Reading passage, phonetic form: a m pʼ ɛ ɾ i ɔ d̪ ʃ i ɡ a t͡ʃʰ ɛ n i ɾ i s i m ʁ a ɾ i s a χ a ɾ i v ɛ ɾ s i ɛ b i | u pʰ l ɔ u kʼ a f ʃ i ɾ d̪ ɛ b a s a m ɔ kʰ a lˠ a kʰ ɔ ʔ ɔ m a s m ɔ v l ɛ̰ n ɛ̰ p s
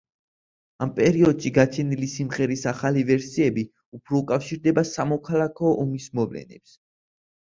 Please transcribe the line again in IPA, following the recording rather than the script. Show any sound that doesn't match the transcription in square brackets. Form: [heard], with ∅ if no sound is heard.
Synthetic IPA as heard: a m pʼ ɛ ɾ i ɔ d̪ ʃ i ɡ a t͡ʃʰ ɛ n i [l] i s i m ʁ [ɛ] ɾ i s a χ a [l] i v ɛ ɾ s i ɛ b i | u pʰ [ɾ] ɔ u kʼ a f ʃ i ɾ d̪ ɛ b a s a m ɔ kʰ a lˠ a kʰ ɔ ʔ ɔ m [i] s m ɔ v l ɛ̰ n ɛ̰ p s